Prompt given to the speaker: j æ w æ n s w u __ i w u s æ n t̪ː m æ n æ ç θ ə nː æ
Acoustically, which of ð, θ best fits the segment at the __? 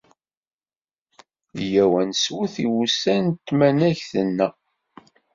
θ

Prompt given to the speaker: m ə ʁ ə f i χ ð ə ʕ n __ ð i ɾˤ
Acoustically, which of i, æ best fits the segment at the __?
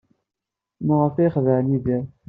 i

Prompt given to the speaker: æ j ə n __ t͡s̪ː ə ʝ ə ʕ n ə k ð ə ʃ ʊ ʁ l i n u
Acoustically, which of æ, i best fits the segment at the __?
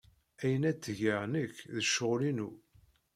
æ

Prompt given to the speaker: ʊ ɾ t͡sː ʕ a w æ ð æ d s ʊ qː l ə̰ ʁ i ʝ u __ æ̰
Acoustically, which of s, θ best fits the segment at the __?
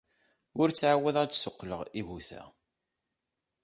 θ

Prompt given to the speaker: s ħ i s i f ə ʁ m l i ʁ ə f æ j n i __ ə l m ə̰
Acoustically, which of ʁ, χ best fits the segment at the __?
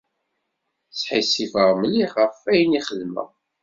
χ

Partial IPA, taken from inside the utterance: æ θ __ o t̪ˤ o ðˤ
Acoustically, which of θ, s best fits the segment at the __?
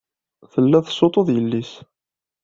s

